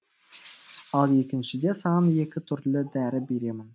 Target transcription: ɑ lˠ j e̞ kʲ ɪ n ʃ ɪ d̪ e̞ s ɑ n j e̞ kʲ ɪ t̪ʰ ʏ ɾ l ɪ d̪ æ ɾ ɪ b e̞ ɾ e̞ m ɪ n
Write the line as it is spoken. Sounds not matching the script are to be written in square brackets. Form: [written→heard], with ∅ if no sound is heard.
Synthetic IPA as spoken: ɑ lˠ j e̞ kʲ ɪ n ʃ ɪ d̪ e̞ s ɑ n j e̞ kʲ ɪ t̪ʰ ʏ ɾ l ɪ d̪ æ ɾ ɪ b e̞ ɾ e̞ m ɪ n